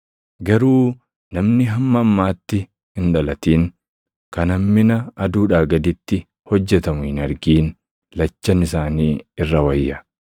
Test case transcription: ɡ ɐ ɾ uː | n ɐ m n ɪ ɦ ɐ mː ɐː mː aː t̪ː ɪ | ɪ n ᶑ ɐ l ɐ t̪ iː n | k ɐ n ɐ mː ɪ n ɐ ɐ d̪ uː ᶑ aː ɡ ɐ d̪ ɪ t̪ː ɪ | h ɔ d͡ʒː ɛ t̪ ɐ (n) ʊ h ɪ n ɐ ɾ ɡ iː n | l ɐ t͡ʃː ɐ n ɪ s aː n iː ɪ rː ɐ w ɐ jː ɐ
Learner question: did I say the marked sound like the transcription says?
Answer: no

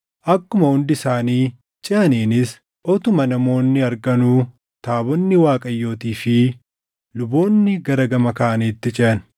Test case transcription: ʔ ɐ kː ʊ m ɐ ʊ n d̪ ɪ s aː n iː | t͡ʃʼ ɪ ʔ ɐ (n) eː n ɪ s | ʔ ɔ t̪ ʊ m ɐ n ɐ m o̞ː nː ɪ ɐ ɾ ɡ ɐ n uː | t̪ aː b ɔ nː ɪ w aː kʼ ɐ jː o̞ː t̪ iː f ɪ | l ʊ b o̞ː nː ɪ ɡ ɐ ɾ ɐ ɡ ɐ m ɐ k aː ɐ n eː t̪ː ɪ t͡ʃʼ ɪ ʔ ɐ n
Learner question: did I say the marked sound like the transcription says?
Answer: yes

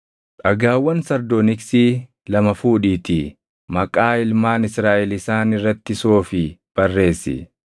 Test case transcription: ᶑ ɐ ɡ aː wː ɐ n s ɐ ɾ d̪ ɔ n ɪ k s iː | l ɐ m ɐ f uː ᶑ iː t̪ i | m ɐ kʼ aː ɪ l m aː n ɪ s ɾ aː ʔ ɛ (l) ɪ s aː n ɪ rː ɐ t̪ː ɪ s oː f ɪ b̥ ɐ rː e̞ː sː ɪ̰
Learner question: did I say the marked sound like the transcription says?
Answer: yes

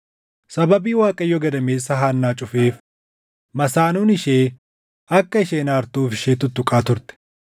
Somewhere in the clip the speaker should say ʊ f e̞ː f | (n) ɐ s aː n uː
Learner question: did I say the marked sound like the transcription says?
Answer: no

